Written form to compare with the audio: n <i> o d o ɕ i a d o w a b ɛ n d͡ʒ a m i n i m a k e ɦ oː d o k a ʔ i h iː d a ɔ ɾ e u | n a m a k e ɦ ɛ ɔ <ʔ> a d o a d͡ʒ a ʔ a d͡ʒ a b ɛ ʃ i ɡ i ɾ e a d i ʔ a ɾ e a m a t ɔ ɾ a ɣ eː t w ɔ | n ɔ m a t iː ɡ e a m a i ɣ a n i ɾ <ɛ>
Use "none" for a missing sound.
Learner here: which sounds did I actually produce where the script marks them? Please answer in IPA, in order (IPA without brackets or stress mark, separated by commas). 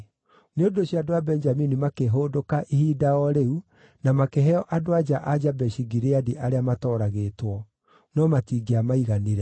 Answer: e, ʔ, ɛ